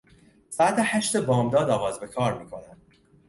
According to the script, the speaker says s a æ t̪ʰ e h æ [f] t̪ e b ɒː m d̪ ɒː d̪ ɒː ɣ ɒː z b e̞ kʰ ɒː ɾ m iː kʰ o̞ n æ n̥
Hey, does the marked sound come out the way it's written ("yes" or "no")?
no